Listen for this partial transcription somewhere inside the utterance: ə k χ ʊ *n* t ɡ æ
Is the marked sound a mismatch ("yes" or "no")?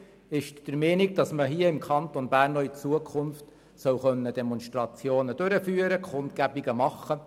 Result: no